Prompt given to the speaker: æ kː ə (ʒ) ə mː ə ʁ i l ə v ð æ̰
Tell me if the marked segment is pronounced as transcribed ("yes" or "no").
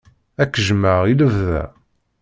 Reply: yes